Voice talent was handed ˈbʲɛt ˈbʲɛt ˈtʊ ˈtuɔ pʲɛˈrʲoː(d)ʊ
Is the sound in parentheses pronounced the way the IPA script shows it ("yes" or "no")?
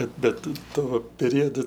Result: yes